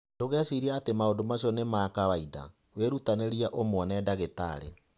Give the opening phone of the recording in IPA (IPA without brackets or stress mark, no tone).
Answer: d